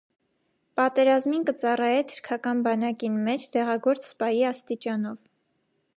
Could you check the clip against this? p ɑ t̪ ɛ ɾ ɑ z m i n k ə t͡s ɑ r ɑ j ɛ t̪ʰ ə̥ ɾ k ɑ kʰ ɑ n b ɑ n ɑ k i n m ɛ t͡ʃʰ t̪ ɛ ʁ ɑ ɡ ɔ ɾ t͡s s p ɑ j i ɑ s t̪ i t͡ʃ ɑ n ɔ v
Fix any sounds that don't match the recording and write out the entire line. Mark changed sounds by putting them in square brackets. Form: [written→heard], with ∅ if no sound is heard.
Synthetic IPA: p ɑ t̪ ɛ ɾ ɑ z m i n k ə t͡s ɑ r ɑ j ɛ t̪ʰ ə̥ ɾ [k→kʰ] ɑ [kʰ→k] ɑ n b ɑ n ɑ k i n m ɛ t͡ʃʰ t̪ ɛ ʁ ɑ ɡ ɔ ɾ t͡s s p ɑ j i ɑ s t̪ i t͡ʃ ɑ n ɔ v